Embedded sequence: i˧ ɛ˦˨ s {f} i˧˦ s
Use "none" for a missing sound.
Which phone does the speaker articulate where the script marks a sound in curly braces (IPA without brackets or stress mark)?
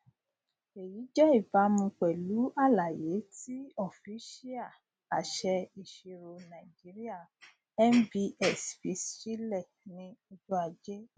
f